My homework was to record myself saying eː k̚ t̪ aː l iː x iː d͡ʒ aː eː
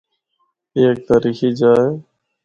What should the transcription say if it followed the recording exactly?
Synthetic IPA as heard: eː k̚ t̪ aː ɾ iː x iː d͡ʒ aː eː